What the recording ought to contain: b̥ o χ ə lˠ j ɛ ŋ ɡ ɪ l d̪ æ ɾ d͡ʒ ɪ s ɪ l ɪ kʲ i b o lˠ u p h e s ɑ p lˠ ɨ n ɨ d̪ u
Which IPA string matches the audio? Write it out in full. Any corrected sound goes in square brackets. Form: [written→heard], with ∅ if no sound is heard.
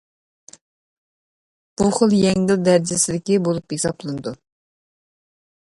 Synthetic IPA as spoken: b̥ [o→u] χ ə lˠ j ɛ ŋ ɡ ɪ l d̪ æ ɾ d͡ʒ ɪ s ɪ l ɪ kʲ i b o lˠ u p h e s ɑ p lˠ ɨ n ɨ d̪ u